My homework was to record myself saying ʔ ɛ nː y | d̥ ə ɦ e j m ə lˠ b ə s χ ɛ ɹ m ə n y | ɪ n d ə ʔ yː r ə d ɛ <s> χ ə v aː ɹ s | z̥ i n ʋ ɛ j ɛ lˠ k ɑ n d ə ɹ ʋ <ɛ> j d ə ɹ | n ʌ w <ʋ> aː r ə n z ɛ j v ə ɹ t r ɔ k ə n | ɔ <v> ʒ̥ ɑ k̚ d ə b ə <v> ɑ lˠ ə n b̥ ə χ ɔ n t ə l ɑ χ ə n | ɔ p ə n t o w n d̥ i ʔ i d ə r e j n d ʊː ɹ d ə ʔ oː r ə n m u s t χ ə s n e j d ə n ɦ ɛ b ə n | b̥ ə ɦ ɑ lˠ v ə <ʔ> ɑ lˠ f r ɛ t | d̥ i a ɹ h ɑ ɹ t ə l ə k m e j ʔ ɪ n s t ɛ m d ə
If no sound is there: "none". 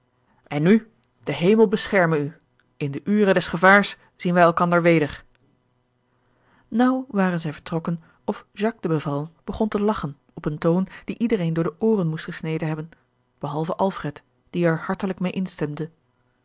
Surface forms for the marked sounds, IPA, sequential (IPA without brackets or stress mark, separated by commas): s, e, ʋ, f, v, ʔ